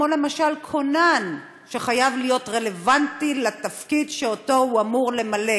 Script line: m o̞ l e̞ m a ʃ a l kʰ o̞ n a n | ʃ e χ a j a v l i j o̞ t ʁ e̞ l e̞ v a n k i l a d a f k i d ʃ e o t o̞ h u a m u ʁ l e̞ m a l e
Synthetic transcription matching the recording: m o̞ l e̞ m a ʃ a l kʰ o̞ n a n | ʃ e χ a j a v l i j o̞ t ʁ e̞ l e̞ v a n t i l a t a f k i d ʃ e o t o̞ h u a m u ʁ l e̞ m a l e